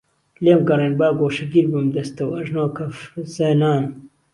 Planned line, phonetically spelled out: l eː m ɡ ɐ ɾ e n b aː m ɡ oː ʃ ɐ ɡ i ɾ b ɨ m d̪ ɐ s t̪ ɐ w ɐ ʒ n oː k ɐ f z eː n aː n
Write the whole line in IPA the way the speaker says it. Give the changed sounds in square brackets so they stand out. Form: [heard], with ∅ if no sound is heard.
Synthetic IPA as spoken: l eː m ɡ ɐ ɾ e n b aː [∅] ɡ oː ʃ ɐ ɡ i ɾ b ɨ m d̪ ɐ s t̪ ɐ w ɐ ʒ n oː k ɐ f z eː n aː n